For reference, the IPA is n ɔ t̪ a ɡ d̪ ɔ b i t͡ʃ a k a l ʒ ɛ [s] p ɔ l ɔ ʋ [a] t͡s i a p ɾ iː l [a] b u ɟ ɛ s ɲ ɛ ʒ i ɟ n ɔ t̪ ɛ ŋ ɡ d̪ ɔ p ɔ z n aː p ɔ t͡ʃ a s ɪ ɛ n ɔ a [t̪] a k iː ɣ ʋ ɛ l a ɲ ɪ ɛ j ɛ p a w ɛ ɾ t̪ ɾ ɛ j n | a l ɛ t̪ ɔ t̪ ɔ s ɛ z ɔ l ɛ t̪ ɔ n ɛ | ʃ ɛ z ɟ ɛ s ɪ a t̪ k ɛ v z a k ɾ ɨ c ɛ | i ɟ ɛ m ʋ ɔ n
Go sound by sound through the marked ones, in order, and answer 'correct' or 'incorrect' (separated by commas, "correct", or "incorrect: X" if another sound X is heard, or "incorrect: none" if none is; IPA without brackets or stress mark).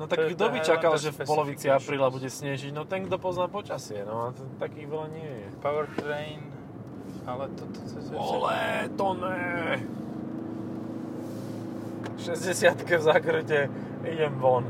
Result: incorrect: f, incorrect: i, correct, correct